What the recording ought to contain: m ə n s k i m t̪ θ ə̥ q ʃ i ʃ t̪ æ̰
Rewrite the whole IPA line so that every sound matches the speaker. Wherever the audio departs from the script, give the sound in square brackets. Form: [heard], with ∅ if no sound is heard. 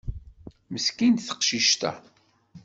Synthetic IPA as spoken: m ə [∅] s k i [n] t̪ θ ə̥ q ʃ i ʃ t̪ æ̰